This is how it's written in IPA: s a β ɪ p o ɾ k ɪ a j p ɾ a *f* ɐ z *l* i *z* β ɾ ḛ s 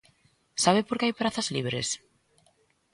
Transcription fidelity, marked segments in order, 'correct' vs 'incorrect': incorrect, correct, incorrect

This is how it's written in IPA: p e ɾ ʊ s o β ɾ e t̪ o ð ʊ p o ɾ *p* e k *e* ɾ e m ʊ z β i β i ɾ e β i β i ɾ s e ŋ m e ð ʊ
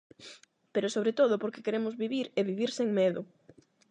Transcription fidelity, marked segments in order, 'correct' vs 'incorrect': incorrect, correct

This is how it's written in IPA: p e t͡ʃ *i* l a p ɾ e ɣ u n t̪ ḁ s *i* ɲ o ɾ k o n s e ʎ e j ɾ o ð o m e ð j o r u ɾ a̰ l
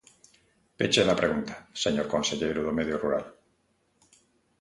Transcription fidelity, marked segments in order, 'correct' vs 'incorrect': incorrect, incorrect

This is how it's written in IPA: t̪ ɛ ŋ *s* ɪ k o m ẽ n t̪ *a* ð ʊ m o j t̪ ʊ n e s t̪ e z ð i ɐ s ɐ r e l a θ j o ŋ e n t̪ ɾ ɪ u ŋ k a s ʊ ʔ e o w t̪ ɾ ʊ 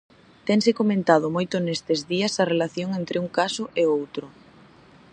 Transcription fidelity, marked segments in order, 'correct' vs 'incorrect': correct, correct

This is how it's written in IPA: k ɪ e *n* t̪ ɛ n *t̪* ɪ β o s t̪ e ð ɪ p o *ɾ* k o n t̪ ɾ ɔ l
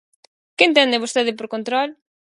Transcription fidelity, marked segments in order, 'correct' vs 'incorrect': correct, incorrect, correct

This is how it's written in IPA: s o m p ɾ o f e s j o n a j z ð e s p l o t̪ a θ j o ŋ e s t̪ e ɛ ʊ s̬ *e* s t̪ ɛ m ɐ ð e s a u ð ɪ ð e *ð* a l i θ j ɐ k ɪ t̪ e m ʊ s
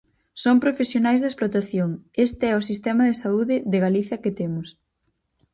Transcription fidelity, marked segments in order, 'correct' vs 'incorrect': incorrect, incorrect

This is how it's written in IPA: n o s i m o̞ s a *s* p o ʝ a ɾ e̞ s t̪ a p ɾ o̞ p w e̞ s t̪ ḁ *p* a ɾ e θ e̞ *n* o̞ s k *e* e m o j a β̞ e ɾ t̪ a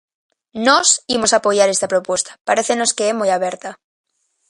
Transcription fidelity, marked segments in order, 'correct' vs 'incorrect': incorrect, correct, correct, correct

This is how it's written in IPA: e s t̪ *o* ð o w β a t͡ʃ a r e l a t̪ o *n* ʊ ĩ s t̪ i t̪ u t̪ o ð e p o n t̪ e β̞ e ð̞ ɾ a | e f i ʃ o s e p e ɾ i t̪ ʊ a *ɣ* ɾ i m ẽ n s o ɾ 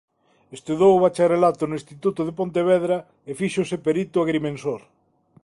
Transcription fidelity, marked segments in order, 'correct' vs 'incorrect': incorrect, correct, correct

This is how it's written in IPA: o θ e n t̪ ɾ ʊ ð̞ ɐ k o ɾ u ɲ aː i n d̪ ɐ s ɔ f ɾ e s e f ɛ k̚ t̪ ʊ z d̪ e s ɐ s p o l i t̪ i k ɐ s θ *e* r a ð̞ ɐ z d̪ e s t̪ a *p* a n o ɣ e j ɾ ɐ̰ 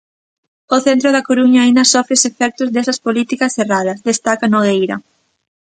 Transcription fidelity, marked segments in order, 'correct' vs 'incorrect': correct, incorrect

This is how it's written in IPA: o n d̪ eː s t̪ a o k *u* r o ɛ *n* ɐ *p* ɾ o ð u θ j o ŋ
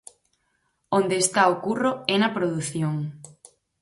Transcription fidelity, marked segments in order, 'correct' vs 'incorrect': correct, correct, correct

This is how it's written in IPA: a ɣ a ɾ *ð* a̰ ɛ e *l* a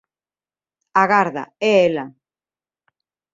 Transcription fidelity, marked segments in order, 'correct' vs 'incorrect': correct, correct

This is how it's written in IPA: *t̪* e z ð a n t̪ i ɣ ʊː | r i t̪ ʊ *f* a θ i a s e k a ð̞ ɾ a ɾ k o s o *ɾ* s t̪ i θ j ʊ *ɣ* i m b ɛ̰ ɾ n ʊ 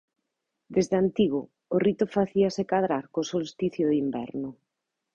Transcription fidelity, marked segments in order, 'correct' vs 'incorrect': incorrect, correct, incorrect, incorrect

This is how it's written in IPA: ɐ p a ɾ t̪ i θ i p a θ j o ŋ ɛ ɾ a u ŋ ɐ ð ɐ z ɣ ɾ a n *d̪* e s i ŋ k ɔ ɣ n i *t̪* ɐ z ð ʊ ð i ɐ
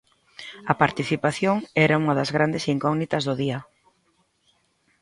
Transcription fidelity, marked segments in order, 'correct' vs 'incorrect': correct, correct

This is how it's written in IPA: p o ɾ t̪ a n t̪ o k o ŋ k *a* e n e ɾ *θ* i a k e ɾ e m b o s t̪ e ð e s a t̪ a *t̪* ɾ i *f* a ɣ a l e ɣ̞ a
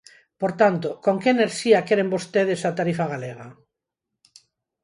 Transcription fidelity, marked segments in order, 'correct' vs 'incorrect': incorrect, incorrect, incorrect, correct

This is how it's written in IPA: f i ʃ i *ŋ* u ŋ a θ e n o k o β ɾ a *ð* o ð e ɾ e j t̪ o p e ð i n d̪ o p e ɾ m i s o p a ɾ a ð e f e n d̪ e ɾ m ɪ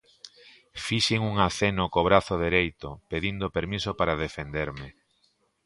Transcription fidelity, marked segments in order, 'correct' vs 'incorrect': correct, incorrect

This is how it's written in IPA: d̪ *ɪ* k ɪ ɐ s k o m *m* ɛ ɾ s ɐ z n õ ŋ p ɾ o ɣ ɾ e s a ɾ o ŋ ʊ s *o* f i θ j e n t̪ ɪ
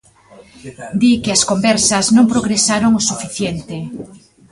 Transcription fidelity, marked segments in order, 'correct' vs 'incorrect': incorrect, incorrect, incorrect

